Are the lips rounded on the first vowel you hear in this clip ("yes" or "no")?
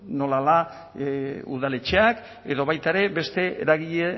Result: yes